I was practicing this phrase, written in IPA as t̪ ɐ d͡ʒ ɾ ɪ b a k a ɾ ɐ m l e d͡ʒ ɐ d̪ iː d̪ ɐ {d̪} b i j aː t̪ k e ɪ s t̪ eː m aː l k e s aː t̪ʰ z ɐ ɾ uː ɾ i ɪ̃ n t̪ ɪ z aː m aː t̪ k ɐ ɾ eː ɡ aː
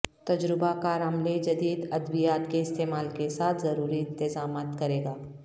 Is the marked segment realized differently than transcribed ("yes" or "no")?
no